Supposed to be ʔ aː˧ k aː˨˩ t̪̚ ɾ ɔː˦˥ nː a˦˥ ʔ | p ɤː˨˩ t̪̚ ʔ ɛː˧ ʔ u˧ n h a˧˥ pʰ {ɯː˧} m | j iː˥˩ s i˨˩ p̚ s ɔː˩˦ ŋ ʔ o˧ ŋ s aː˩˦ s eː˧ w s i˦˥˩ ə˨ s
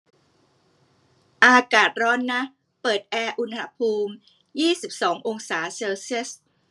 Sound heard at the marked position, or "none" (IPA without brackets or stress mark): uː˧